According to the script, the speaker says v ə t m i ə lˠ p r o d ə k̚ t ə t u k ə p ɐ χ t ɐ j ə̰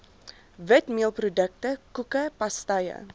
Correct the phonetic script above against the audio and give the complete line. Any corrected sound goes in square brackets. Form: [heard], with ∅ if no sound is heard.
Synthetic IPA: v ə t m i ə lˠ p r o d ə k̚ t ə [k] u k ə p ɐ [s] t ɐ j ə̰